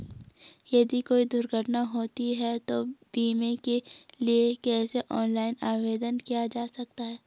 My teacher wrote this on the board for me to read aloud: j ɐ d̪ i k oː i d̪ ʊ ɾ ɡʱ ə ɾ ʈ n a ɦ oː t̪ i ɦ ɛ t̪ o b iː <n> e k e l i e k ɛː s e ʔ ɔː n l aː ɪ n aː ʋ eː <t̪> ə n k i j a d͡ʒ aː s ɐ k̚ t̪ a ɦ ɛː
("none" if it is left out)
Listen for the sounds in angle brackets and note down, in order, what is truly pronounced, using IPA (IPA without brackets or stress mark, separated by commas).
m, d̪